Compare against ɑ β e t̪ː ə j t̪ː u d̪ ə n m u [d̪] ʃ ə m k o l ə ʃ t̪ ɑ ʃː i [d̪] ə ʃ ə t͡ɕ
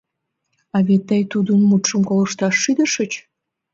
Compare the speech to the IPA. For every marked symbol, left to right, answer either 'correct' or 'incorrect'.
incorrect, correct

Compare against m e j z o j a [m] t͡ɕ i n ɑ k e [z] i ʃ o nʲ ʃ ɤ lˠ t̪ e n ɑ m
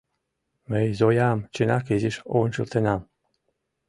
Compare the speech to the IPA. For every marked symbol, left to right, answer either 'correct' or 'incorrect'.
correct, correct

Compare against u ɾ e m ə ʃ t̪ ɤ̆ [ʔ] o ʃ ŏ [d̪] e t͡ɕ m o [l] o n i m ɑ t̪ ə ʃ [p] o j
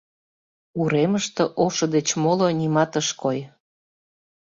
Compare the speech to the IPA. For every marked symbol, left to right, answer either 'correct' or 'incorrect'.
correct, correct, correct, incorrect

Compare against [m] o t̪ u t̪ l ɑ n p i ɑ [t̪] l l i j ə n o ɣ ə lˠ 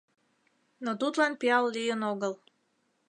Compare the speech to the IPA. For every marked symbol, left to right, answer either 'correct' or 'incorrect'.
incorrect, incorrect

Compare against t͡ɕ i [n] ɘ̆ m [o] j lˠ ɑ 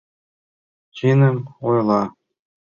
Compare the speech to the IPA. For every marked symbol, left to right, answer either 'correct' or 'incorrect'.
correct, correct

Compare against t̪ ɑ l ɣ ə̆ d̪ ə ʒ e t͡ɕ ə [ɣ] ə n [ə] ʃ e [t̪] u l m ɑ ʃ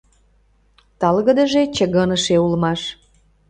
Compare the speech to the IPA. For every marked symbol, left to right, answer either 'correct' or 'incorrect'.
correct, correct, incorrect

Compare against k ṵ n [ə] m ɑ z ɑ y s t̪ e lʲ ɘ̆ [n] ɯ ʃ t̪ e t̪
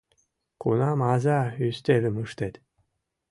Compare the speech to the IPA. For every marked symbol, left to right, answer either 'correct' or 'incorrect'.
incorrect, incorrect

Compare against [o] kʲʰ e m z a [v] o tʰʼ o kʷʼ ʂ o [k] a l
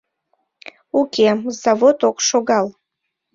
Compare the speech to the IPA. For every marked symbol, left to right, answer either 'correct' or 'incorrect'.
incorrect, correct, incorrect

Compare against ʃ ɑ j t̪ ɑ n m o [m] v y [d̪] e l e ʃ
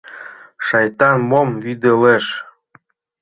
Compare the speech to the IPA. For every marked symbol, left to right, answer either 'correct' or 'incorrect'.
correct, correct

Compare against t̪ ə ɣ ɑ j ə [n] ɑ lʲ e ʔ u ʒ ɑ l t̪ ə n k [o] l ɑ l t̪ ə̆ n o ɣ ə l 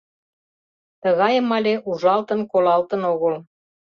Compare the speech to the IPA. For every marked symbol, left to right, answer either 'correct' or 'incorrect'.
incorrect, correct

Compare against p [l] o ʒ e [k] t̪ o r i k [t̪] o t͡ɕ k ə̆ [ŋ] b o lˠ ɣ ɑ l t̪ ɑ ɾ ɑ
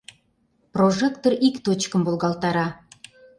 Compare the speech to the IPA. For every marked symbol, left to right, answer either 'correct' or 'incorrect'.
incorrect, correct, correct, incorrect

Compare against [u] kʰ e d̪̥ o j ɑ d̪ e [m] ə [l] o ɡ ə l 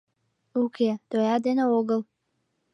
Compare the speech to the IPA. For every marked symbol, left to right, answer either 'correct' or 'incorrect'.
correct, incorrect, incorrect

